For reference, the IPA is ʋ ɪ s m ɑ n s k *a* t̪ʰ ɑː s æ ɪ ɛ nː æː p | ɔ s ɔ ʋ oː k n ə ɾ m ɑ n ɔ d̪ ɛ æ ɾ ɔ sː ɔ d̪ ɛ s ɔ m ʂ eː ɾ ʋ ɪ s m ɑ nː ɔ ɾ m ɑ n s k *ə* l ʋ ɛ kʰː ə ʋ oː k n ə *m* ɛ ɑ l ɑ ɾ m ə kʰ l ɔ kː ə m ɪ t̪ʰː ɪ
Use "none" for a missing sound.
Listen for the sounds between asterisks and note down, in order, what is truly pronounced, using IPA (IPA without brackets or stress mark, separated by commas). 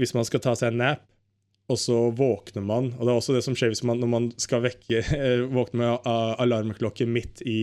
ɑ, ɑ, m